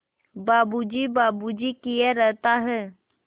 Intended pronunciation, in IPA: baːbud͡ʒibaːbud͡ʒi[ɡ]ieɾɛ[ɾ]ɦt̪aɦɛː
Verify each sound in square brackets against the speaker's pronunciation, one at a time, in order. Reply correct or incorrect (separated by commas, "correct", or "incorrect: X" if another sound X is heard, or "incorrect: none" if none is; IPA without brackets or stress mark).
incorrect: k, incorrect: none